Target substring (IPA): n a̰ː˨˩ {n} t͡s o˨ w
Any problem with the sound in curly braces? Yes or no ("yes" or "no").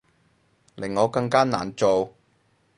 no